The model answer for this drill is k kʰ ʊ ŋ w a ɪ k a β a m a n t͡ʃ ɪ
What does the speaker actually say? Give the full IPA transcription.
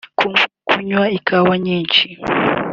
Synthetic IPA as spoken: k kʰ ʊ ɲ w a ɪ k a w a ɲ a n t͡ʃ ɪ